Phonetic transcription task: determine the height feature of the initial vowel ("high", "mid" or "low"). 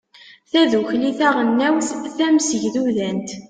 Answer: low